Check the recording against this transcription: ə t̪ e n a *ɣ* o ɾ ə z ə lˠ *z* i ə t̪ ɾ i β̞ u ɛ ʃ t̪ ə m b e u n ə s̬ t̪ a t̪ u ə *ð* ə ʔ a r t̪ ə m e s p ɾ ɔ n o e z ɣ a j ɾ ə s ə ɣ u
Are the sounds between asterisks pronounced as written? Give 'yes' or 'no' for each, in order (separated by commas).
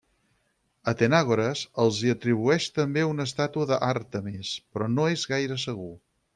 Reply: yes, yes, yes